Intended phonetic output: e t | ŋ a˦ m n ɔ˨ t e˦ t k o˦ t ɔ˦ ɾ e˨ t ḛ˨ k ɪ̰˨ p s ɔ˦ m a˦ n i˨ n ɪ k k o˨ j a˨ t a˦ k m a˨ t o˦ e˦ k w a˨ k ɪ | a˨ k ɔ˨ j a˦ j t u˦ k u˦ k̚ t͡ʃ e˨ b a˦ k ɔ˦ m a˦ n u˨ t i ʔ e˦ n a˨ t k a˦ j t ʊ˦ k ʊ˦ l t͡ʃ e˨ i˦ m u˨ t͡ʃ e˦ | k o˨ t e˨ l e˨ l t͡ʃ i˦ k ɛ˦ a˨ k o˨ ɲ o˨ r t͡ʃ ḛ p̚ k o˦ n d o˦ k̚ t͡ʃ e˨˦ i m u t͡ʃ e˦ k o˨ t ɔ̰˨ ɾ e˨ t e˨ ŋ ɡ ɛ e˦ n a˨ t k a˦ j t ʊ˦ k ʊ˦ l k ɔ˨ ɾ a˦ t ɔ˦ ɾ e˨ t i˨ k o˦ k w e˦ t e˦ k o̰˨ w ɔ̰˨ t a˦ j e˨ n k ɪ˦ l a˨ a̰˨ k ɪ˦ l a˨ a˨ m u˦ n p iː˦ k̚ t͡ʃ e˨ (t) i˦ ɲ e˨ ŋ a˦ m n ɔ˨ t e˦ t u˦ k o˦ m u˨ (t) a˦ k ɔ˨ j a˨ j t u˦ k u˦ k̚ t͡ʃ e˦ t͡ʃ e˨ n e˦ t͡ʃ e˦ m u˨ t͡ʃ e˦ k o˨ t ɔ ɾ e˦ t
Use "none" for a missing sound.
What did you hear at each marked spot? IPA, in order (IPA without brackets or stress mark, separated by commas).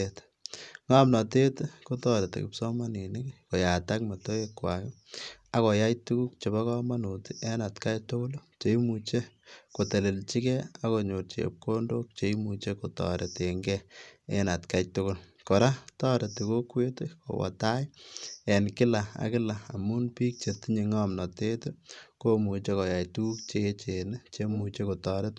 t, t͡ʃ